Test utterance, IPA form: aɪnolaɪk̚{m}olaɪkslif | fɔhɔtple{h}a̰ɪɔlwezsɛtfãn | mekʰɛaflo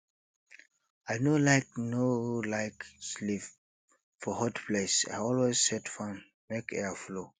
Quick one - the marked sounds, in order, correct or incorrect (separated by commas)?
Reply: incorrect, incorrect